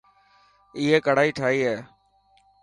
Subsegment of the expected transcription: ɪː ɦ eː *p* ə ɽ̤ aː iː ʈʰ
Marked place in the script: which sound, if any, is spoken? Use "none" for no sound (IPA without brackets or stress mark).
k